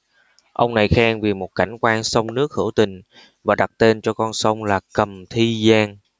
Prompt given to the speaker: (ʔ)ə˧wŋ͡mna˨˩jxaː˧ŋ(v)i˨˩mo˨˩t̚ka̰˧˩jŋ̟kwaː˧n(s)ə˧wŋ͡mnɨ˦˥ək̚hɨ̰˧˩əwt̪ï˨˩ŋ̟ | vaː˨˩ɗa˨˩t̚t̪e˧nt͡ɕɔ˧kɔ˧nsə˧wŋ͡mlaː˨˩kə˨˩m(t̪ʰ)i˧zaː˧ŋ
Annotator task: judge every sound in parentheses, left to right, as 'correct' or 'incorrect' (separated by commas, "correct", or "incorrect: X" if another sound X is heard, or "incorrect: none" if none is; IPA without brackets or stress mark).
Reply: correct, correct, correct, correct